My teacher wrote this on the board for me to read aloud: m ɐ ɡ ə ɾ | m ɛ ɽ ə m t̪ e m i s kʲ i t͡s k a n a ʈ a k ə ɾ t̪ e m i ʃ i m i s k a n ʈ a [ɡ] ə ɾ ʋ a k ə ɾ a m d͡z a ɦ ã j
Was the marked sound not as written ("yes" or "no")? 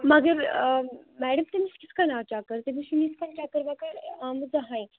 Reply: yes